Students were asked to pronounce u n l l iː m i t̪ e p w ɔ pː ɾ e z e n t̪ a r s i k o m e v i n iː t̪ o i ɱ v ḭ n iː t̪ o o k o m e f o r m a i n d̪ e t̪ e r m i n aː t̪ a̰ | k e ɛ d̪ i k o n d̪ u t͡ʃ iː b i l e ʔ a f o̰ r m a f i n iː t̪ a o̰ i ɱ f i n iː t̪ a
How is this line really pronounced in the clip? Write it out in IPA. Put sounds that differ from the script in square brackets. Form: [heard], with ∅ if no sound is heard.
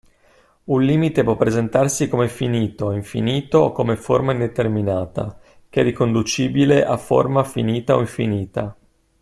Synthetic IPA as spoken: u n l l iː m i t̪ e p w ɔ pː ɾ e z e n t̪ a r s i k o m e [f] i n iː t̪ o i ɱ [f] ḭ n iː t̪ o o k o m e f o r m a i n d̪ e t̪ e r m i n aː t̪ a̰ | k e ɛ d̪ i k o n d̪ u t͡ʃ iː b i l e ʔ a f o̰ r m a f i n iː t̪ a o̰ i ɱ f i n iː t̪ a